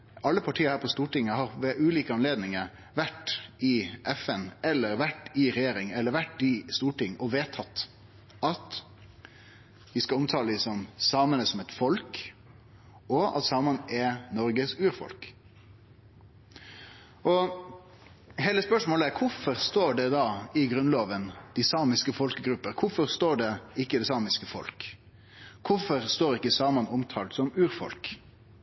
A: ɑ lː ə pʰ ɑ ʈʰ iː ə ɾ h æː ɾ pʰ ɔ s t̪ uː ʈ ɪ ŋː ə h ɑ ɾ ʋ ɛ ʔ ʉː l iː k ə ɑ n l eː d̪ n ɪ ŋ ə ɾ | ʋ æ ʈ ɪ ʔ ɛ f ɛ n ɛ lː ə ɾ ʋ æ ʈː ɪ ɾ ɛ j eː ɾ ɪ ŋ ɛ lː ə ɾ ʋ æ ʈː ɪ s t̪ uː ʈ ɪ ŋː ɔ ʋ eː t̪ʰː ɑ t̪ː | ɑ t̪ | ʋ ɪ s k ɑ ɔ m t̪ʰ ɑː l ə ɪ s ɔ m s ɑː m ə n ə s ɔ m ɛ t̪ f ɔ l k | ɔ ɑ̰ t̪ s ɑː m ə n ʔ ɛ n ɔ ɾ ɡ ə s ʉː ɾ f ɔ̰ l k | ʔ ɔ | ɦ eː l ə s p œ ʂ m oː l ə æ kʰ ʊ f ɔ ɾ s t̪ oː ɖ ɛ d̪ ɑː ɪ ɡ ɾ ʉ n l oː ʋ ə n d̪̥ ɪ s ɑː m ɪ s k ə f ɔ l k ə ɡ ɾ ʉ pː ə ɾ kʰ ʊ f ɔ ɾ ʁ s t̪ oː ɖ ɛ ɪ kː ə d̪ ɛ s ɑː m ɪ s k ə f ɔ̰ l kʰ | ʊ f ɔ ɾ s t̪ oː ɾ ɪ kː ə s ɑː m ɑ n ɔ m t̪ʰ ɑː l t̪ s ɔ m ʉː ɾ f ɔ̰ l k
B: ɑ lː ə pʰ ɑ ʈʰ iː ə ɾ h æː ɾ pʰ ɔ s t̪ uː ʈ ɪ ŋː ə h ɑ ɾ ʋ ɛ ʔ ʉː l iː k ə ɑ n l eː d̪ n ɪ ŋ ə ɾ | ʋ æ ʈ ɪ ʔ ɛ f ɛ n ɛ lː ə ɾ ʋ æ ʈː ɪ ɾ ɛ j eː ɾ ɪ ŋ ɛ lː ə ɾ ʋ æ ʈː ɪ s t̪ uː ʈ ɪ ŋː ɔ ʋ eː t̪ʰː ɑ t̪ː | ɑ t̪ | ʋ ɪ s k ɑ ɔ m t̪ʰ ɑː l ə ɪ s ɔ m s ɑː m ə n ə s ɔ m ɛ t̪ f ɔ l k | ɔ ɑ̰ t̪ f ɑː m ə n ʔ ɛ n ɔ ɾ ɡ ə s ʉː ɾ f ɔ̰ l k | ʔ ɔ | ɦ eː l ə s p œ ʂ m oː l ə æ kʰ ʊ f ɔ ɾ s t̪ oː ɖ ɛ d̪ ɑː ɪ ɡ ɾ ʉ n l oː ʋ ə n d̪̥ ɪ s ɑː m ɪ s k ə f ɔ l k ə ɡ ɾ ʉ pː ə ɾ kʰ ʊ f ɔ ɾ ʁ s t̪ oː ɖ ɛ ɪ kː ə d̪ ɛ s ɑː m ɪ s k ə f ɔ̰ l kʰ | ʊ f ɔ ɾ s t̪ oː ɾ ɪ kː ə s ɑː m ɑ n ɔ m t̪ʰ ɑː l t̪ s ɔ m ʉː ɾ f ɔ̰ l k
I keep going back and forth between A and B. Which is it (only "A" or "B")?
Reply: A